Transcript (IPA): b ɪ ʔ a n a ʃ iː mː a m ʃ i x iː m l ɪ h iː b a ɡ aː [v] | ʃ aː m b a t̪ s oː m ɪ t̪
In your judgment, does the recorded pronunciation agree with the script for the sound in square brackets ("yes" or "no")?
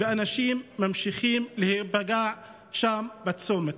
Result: no